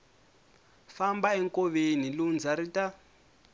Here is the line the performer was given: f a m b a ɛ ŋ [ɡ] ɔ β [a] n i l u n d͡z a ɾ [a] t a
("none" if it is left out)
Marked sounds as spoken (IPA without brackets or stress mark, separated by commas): k, e, i